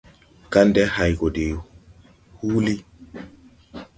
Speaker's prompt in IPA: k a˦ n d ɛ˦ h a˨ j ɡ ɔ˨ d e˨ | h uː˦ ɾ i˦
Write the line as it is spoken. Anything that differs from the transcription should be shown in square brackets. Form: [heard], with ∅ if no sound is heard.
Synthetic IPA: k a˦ n d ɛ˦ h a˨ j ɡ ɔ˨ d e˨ | h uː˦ [l] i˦